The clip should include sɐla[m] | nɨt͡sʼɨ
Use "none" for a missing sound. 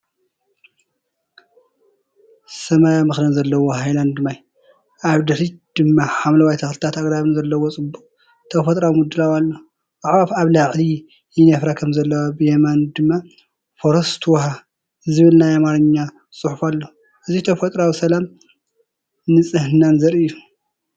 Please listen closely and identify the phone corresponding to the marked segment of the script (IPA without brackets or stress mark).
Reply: m